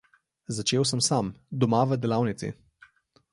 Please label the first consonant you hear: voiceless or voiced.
voiced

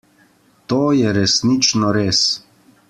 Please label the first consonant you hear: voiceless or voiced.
voiceless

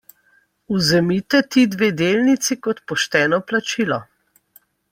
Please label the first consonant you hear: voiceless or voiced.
voiced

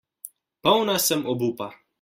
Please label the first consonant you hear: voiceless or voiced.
voiceless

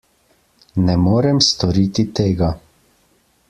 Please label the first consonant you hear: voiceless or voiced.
voiced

